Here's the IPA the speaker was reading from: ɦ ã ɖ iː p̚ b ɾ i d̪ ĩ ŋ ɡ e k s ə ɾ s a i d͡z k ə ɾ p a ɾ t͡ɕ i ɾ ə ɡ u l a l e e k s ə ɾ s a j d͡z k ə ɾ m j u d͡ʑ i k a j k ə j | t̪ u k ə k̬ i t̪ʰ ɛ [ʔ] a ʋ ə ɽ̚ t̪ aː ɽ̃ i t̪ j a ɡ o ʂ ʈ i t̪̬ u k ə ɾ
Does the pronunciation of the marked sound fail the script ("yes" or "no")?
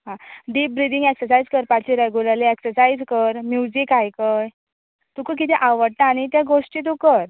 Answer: no